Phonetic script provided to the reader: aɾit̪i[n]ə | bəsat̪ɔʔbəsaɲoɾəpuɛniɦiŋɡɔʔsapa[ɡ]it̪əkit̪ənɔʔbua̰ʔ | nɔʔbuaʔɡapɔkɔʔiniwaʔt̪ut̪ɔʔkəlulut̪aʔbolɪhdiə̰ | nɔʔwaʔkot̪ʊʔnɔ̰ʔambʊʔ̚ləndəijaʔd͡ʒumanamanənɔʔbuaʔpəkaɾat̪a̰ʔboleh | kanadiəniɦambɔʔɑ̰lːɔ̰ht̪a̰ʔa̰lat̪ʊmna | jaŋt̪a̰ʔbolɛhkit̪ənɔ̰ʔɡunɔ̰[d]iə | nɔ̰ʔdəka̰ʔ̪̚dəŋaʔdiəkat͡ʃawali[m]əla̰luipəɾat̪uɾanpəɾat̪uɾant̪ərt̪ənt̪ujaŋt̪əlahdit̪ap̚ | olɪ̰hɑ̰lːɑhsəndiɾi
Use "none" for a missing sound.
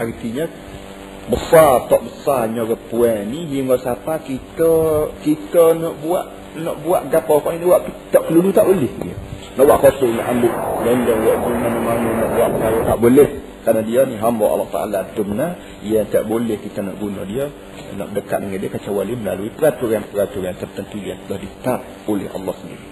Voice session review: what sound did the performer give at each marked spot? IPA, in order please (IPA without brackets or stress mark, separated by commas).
ɲ, k, d, m